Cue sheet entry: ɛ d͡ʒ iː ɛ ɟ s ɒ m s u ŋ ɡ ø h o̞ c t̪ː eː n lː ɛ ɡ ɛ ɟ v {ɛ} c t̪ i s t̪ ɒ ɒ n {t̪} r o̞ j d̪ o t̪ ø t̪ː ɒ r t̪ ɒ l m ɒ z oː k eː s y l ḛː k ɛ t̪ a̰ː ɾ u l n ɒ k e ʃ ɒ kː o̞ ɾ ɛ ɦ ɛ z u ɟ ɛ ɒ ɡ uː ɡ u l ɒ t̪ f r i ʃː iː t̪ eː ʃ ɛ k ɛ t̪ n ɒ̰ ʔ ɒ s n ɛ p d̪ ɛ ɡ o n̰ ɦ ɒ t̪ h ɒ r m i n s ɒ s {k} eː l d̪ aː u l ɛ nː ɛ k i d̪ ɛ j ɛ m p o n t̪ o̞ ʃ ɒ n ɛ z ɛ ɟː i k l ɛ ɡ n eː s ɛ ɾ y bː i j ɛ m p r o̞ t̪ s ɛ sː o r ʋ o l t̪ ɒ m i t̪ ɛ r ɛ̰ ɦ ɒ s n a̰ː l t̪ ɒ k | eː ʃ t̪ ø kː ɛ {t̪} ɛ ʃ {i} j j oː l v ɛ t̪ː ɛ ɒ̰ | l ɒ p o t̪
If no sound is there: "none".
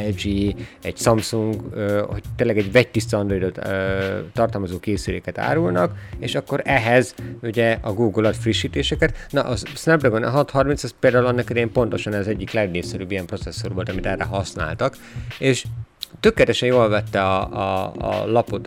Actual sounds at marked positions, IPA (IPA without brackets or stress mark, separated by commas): ɛ, d̪, p, t̪, ɛ